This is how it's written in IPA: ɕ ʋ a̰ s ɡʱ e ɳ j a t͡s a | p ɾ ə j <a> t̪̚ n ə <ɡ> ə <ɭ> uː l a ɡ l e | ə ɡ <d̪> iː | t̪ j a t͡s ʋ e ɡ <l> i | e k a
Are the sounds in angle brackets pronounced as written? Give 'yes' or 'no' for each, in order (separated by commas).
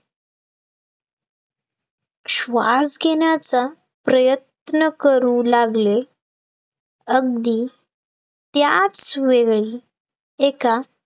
no, no, no, yes, no